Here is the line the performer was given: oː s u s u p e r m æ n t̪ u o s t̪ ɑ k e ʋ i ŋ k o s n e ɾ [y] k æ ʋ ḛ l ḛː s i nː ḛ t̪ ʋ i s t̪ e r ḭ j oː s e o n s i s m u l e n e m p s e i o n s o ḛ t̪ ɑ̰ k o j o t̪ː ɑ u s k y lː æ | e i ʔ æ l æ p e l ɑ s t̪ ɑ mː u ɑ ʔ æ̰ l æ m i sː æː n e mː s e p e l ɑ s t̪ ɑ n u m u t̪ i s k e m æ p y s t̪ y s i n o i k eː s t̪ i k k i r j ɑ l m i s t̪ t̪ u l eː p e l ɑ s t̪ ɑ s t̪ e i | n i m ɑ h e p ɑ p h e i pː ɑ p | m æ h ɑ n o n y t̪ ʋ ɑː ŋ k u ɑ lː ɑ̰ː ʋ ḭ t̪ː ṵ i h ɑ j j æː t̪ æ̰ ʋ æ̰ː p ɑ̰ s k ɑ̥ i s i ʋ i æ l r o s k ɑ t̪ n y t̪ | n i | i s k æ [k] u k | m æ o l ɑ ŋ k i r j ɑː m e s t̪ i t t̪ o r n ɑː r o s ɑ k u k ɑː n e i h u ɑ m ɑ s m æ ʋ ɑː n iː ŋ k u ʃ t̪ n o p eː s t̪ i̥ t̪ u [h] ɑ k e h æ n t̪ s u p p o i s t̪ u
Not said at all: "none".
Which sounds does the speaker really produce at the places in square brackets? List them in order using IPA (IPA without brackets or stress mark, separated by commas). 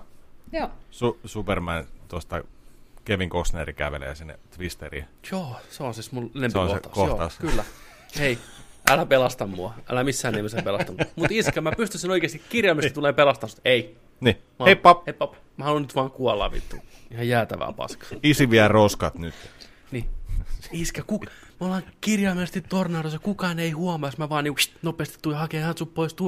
i, k, h